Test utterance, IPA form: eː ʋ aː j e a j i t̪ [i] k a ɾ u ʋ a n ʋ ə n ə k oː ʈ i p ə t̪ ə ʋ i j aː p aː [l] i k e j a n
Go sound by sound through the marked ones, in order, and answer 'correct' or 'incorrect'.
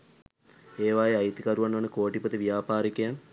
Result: correct, incorrect: ɾ

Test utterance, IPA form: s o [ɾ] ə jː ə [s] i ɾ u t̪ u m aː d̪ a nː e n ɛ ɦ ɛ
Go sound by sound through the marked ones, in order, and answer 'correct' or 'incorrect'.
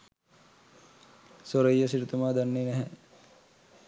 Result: correct, correct

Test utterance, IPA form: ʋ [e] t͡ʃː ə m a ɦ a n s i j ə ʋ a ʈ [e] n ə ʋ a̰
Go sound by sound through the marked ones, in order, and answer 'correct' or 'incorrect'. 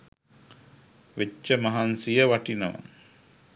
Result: correct, incorrect: i

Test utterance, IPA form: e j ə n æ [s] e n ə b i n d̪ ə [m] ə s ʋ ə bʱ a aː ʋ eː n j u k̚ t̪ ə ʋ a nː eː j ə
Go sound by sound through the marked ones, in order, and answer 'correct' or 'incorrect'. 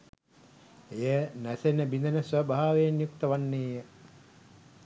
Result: correct, incorrect: n

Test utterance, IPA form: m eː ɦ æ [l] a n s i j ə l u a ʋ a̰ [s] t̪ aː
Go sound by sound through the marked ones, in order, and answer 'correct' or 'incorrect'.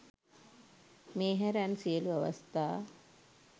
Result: incorrect: ɾ, correct

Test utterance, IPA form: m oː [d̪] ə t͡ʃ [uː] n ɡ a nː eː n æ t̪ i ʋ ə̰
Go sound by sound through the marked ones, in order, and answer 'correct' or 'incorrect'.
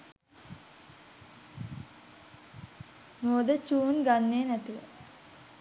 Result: correct, correct

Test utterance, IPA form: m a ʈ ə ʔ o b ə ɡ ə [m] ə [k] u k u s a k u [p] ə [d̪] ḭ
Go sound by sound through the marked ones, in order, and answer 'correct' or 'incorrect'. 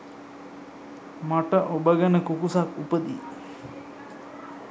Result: incorrect: n, correct, correct, correct

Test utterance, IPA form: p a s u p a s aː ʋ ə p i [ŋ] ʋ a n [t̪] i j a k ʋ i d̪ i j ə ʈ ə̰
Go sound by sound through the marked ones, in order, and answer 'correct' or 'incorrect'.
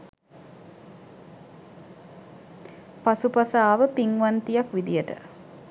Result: correct, correct

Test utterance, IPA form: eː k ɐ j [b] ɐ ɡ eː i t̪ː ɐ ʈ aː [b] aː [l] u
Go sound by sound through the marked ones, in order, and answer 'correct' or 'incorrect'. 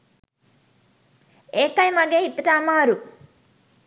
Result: incorrect: m, incorrect: m, incorrect: ɾ

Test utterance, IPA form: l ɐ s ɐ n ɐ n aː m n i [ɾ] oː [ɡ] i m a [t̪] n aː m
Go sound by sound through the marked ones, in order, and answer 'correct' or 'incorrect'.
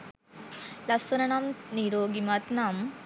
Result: correct, correct, correct

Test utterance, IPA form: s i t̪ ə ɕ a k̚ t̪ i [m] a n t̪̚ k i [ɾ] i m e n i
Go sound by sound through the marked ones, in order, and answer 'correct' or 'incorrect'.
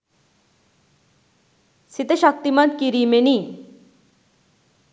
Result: correct, correct

